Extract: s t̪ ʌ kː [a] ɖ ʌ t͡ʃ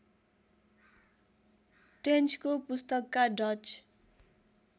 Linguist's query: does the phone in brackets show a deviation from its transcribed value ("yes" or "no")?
no